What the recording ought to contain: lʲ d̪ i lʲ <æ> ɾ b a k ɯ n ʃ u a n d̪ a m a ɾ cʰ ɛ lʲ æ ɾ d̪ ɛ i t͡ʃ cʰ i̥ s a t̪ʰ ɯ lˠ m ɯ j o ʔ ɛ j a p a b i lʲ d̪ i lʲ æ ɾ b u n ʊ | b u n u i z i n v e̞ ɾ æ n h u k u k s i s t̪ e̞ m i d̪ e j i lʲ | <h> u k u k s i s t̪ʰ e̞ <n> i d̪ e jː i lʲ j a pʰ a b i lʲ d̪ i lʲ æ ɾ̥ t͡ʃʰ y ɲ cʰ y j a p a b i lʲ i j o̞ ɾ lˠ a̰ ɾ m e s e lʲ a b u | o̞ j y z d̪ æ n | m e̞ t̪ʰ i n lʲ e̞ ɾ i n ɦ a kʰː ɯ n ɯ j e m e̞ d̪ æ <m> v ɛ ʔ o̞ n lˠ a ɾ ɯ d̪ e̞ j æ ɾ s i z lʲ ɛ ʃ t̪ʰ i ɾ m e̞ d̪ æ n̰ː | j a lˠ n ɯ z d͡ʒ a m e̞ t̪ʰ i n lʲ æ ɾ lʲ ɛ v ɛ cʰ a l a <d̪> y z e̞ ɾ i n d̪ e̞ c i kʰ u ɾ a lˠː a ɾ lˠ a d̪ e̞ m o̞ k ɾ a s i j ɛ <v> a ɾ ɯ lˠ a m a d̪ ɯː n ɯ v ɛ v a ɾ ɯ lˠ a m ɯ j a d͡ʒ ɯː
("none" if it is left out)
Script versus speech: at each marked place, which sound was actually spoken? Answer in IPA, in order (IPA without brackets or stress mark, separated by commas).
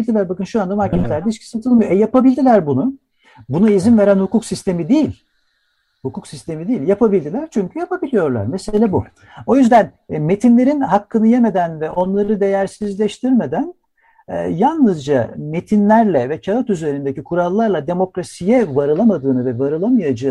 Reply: æ, h, m, n, t̪, v